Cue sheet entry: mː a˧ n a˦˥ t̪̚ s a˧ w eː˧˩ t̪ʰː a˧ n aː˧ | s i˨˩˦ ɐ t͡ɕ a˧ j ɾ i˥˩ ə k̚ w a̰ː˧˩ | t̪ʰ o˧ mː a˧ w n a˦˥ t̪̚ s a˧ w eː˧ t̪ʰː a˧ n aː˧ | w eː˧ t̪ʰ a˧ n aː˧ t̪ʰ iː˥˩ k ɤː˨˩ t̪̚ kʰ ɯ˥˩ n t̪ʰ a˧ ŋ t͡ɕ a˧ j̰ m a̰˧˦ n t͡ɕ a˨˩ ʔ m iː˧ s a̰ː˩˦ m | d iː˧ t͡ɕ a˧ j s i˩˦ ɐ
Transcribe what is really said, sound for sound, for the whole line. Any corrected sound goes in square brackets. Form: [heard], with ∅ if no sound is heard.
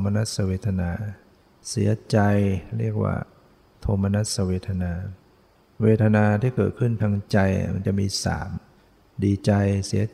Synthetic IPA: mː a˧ n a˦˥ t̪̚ s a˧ w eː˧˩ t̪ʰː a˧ n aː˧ | s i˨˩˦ ɐ t͡ɕ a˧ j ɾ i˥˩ ə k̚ w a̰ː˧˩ | t̪ʰ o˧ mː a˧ [∅] n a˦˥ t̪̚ s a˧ w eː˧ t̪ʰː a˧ n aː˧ | w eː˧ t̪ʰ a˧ n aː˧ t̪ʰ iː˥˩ k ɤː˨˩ t̪̚ kʰ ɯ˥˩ n t̪ʰ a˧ ŋ t͡ɕ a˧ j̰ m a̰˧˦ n t͡ɕ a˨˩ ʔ m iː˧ s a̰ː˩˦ m | d iː˧ t͡ɕ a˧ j s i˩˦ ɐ